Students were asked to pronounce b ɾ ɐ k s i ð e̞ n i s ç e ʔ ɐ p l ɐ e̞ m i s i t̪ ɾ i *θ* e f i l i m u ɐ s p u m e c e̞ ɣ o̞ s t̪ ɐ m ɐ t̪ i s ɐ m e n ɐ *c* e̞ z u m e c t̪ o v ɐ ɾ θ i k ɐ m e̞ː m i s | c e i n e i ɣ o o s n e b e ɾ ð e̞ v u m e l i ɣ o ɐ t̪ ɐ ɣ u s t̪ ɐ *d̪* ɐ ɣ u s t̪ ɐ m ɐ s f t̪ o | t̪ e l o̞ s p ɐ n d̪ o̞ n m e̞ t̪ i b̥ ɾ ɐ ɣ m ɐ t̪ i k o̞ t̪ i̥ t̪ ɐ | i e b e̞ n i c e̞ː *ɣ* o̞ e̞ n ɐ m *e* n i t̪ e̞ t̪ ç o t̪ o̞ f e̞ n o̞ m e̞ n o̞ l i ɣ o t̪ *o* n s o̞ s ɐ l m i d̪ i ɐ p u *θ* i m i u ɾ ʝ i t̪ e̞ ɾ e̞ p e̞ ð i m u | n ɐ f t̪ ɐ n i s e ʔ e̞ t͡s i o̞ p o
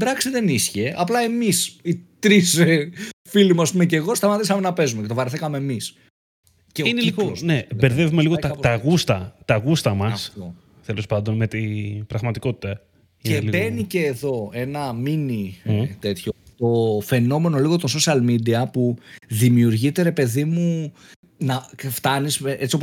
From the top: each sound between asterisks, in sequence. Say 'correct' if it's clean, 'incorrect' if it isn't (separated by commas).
incorrect, incorrect, incorrect, incorrect, incorrect, correct, incorrect